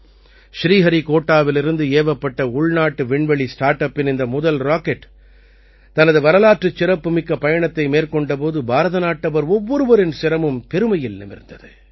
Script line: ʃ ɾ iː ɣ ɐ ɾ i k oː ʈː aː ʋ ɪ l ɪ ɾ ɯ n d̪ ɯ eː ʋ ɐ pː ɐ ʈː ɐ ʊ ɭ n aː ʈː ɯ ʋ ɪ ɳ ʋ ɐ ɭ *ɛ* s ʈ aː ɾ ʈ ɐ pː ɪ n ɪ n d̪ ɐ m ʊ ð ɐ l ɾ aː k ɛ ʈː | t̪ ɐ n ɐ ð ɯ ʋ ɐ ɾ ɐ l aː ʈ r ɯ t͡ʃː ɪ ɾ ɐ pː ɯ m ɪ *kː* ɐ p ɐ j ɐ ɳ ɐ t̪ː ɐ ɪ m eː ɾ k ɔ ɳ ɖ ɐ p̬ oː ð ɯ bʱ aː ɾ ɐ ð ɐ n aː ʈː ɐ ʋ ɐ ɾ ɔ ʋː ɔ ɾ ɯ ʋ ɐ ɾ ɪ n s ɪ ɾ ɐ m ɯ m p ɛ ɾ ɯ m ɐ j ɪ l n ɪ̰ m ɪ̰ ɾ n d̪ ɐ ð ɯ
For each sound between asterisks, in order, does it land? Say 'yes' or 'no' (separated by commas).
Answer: no, yes